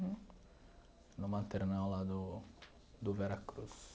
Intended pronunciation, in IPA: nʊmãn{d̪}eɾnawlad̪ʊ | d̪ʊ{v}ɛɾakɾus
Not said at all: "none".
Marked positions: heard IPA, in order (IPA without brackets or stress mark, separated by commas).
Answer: t̪, v